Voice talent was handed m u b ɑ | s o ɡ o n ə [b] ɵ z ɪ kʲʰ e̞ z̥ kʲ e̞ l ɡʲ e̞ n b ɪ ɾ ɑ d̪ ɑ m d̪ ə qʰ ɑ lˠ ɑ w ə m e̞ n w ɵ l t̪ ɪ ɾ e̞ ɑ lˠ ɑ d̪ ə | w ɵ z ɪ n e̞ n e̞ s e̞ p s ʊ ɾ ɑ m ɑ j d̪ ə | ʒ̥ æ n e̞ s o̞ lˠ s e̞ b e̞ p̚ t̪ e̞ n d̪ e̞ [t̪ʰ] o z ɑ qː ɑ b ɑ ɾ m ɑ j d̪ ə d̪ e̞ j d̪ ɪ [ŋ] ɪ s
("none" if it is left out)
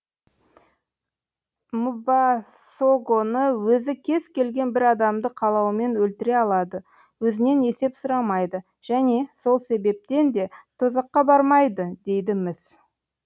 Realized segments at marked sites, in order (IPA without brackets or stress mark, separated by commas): w, t̪ʰ, m